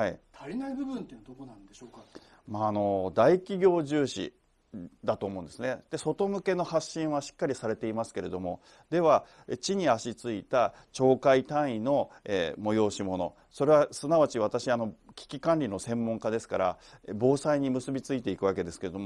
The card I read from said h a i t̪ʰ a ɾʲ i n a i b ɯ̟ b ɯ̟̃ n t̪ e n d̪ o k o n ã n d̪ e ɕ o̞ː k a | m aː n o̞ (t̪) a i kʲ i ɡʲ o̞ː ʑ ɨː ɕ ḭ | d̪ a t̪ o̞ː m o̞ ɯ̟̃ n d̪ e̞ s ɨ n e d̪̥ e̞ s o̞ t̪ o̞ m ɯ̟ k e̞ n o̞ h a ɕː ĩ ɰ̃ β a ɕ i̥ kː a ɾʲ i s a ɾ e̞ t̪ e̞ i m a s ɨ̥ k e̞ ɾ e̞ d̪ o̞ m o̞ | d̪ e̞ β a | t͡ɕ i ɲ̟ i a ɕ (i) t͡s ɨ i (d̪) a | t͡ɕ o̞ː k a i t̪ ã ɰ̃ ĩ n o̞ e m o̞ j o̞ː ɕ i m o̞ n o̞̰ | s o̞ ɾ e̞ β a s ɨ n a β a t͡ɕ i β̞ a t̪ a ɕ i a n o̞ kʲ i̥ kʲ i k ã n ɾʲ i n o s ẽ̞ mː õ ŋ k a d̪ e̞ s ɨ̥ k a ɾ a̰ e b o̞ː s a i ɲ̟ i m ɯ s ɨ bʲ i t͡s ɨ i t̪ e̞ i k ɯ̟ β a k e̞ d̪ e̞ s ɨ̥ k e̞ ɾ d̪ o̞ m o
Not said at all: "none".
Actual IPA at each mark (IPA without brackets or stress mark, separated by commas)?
d̪, i, t̪